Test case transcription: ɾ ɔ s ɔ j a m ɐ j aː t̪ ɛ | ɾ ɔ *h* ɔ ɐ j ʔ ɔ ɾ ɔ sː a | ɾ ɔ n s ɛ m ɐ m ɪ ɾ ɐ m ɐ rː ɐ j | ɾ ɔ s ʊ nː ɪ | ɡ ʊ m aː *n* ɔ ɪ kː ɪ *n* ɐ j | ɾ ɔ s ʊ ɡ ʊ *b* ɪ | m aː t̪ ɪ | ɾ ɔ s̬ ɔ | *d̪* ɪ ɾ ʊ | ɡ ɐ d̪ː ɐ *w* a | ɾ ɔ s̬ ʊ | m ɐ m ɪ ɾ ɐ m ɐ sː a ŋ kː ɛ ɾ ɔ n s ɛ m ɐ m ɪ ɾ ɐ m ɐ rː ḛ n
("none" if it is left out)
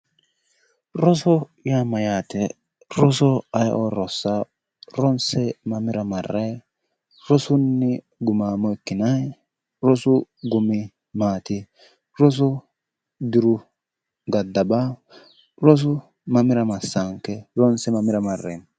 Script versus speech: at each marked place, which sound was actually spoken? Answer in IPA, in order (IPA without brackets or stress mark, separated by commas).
s, m, n, m, d̪, b